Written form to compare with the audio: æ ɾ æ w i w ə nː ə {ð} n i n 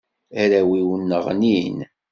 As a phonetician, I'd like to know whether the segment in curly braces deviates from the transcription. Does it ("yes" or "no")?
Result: yes